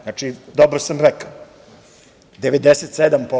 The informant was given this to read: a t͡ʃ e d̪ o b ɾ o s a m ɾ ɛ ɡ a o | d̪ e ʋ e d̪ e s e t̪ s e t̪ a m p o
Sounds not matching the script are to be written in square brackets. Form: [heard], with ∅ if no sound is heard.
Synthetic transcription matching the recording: a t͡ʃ [i] d̪ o b ɾ o s a m ɾ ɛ [k] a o | d̪ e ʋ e d̪ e s e t̪ s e [d̪] a m p o

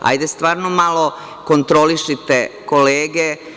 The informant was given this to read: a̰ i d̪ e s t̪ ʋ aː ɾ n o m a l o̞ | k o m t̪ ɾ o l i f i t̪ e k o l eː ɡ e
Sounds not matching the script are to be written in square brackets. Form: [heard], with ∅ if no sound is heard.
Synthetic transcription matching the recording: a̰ [j] d̪ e s t̪ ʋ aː ɾ n o m a l o̞ | k o [n] t̪ ɾ o l i [ʃ] i t̪ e k o l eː ɡ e

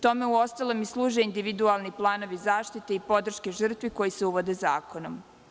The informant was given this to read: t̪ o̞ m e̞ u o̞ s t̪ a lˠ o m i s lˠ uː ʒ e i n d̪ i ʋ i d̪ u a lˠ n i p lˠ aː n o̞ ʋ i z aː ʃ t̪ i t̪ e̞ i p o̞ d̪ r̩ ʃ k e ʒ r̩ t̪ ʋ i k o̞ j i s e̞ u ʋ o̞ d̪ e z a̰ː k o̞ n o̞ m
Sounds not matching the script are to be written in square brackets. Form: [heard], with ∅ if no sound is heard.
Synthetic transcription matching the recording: t̪ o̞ m e̞ u o̞ s t̪ a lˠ o m i s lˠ uː ʒ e i n d̪ i ʋ i d̪ u a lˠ n i p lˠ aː n o̞ ʋ i z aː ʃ t̪ i t̪ e̞ i p o̞ d̪ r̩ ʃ k e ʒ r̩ t̪ ʋ i k o̞ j i s e̞ u ʋ o̞ d̪ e z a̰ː k o̞ n o̞ m

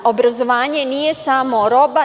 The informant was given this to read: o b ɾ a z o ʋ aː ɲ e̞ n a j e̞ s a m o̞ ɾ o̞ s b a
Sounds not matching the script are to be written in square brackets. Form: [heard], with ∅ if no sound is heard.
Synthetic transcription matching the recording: o b ɾ a z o ʋ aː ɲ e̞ n [i] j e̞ s a m o̞ ɾ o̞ [∅] b a

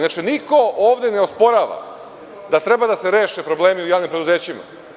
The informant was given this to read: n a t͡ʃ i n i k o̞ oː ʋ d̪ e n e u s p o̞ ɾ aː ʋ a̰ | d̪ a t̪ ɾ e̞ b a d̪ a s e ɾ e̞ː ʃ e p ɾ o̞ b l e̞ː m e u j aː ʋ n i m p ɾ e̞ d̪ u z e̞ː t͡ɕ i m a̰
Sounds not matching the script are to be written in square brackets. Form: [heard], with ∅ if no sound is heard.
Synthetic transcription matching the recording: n a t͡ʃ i n i k o̞ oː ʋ d̪ e n e [o] s p o̞ ɾ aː ʋ a̰ | d̪ a t̪ ɾ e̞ b a d̪ a s e ɾ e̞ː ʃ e p ɾ o̞ b l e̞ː m [i] u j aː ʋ n i m p ɾ e̞ d̪ u z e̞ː t͡ɕ i m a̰

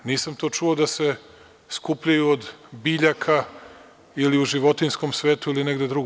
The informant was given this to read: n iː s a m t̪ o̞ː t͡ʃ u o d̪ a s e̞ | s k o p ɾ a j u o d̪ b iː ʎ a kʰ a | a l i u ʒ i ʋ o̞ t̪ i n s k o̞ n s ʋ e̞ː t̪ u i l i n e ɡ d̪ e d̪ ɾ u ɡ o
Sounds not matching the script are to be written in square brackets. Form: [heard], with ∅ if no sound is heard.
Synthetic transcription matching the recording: n iː s a m t̪ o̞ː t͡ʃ u o d̪ a s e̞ | s k [u] p [ʎ] a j u o d̪ b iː ʎ a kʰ a | [i] l i u ʒ i ʋ o̞ t̪ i n s k o̞ [m] s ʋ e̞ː t̪ u i l i n e ɡ d̪ e d̪ ɾ u ɡ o

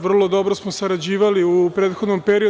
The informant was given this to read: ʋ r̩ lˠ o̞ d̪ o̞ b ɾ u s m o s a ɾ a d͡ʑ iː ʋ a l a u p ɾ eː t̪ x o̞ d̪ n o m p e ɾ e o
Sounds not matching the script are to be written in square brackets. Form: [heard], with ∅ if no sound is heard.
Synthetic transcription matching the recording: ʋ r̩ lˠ o̞ d̪ o̞ b ɾ [o] s m o s a ɾ a d͡ʑ iː ʋ a l [i] u p ɾ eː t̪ x o̞ d̪ n o m p e ɾ [i] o

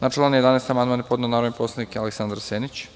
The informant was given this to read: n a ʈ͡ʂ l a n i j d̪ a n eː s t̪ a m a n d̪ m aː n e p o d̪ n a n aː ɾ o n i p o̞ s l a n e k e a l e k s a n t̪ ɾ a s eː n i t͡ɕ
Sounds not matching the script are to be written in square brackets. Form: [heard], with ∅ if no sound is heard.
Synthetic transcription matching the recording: n a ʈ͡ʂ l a n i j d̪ a n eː s t̪ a m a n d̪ m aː n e p o d̪ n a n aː ɾ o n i p o̞ s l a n [i] k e a l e k s a n [d̪] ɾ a s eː n i t͡ɕ

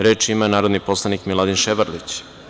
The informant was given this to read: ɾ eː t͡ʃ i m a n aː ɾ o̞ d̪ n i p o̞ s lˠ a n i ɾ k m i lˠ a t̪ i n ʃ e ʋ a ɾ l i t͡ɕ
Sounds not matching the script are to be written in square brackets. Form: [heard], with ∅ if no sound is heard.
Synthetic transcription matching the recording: ɾ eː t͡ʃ i m a n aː ɾ o̞ d̪ n i p o̞ s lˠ a n i [∅] k m i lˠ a [d̪] i n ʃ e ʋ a ɾ l i t͡ɕ

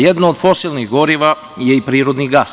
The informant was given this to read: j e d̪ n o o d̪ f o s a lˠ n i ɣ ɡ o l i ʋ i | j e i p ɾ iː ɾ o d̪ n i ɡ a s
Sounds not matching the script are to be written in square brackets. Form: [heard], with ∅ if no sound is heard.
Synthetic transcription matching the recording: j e d̪ n o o d̪ f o s [i] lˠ n i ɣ ɡ o [ɾ] i ʋ [a] | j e i p ɾ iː ɾ o d̪ n i ɡ a s

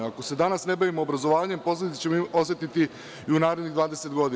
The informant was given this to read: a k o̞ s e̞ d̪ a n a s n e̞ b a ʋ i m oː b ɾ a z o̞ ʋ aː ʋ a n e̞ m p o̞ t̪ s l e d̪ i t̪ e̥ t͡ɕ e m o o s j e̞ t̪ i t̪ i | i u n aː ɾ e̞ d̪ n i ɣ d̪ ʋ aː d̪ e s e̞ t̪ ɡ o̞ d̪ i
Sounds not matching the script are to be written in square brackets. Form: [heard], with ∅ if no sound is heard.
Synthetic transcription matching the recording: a k o̞ s e̞ d̪ a n a s n e̞ b a ʋ i m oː b ɾ a z o̞ ʋ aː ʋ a [ɲ] e̞ m p o̞ [∅] s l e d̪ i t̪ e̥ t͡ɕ e m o o s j e̞ t̪ i t̪ i | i u n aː ɾ e̞ d̪ n i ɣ d̪ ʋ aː d̪ e s e̞ t̪ ɡ o̞ d̪ i

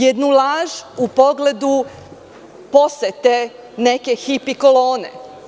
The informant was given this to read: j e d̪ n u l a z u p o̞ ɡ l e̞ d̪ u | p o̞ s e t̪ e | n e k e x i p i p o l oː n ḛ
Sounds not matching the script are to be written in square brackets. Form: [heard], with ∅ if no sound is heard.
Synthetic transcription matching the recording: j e d̪ n u l a [ʒ] u p o̞ ɡ l e̞ d̪ u | p o̞ s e t̪ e | n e k e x i p i [k] o l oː n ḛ

